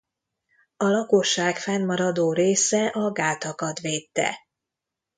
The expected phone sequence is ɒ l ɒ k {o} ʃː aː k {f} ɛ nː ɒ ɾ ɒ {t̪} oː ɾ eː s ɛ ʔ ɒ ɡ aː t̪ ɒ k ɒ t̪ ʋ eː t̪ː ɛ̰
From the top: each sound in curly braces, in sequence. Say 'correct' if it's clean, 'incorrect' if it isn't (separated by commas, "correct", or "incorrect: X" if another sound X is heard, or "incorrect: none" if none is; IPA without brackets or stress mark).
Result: correct, correct, incorrect: d̪